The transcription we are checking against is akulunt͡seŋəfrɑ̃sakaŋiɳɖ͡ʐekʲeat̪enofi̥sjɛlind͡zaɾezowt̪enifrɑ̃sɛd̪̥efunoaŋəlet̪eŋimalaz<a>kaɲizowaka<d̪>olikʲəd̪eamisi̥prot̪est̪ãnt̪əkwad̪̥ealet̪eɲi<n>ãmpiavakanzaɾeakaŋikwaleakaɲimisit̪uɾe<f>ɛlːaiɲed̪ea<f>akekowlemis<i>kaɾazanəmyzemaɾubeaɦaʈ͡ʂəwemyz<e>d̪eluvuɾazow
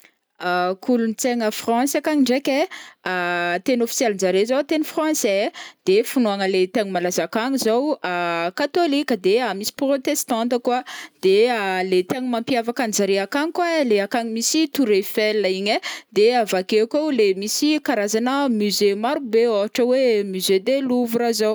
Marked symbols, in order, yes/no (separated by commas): yes, no, no, yes, no, yes, yes